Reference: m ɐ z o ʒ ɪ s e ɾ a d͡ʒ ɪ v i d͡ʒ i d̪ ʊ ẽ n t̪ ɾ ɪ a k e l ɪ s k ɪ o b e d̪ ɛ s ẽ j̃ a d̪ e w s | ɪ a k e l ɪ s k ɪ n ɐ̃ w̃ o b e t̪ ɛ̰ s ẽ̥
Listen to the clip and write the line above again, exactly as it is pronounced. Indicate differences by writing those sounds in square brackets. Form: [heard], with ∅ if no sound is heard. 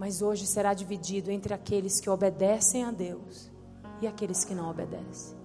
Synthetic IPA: m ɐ z o ʒ ɪ s e ɾ a d͡ʒ [i] v i d͡ʒ i d̪ ʊ ẽ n t̪ ɾ ɪ a k e l ɪ s k ɪ o b e d̪ ɛ s ẽ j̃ a d̪ e w s | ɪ a k e l ɪ s k ɪ n ɐ̃ w̃ o b e [d̪] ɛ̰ s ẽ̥